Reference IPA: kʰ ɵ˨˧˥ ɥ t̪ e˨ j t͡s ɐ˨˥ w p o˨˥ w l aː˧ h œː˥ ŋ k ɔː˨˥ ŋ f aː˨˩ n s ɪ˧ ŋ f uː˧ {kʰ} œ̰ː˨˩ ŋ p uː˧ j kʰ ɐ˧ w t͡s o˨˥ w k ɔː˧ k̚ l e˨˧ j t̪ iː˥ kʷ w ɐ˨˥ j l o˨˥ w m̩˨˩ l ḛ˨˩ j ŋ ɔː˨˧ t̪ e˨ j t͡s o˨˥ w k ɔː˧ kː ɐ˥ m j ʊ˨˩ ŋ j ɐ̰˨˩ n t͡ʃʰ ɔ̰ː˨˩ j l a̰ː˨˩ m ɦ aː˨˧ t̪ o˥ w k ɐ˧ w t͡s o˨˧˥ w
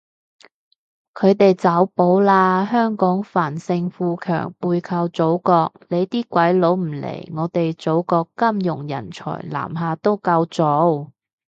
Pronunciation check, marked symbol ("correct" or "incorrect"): correct